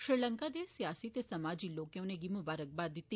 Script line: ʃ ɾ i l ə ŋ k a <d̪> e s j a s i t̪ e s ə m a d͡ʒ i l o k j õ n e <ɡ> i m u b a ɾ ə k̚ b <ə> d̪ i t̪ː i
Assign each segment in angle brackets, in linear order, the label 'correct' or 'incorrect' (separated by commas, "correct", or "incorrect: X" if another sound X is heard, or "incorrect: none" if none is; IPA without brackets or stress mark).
correct, correct, incorrect: a